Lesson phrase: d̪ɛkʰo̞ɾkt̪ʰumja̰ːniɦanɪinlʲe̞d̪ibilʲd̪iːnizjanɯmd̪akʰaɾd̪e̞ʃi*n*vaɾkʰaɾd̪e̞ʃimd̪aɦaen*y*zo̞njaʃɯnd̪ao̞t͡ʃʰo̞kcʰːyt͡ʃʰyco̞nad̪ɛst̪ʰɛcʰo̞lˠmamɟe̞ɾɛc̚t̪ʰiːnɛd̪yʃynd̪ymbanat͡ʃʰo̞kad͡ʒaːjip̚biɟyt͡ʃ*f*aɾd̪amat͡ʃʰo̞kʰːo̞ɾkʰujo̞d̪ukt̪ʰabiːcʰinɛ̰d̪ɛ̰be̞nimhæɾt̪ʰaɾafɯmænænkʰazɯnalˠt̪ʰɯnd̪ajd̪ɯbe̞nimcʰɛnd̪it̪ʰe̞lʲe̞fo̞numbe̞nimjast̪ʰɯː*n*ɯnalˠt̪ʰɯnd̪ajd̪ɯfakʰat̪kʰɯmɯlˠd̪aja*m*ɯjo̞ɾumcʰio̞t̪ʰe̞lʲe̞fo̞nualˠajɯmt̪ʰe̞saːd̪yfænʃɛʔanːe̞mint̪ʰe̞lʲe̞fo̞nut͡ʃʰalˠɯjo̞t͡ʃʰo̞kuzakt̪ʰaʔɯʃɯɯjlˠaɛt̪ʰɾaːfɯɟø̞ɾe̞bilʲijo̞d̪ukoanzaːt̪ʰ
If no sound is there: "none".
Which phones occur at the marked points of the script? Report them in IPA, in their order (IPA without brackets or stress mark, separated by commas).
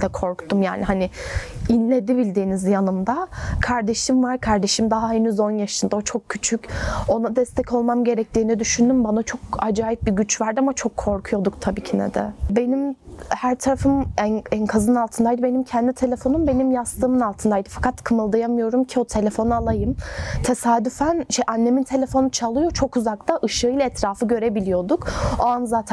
m, y, v, m, m